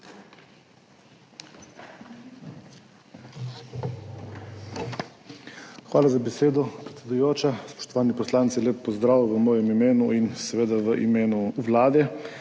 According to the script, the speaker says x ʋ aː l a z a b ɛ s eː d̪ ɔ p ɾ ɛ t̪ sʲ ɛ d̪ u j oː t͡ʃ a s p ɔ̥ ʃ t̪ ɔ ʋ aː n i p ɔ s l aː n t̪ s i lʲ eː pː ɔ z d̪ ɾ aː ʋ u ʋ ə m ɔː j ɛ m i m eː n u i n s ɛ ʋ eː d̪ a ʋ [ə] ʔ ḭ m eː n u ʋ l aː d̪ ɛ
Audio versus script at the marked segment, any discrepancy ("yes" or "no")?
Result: no